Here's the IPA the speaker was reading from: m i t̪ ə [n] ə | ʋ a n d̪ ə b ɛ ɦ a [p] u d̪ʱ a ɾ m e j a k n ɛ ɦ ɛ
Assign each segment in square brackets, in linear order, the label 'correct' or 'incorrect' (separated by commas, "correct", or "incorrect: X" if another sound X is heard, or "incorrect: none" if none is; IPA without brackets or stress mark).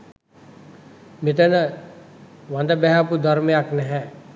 correct, correct